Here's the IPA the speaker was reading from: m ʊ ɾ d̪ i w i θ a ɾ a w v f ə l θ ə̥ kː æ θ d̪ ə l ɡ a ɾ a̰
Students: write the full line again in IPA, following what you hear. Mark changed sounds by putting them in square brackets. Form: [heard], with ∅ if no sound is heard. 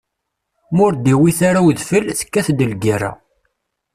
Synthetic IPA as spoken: m ʊ ɾ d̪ i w i θ a ɾ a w [ð] f ə l θ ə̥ kː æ θ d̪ ə l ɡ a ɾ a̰